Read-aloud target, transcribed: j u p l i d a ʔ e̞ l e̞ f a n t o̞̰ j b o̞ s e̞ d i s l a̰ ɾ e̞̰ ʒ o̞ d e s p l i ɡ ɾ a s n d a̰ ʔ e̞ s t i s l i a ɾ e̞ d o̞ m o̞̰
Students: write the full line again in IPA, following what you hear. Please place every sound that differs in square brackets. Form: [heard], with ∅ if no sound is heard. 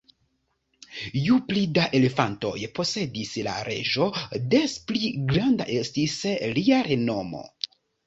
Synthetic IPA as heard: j u p l i d a ʔ e̞ l e̞ f a n t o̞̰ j [p] o̞ s e̞ d i s l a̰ ɾ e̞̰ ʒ o̞ d e s p l i ɡ ɾ a [∅] n d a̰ ʔ e̞ s t i s l i a ɾ e̞ [n] o̞ m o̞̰